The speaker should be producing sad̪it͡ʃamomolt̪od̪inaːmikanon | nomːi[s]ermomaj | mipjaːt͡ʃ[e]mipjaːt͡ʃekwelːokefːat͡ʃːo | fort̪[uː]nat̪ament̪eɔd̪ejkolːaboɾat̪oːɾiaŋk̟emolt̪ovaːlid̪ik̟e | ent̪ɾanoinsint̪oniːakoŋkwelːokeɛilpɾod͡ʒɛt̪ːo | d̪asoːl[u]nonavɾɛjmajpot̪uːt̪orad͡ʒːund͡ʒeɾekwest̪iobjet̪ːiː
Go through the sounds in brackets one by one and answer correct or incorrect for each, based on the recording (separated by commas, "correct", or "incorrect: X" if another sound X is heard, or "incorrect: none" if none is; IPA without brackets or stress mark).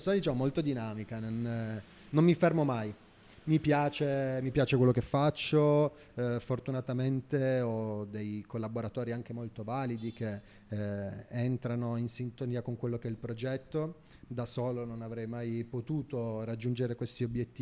incorrect: f, correct, incorrect: u, incorrect: o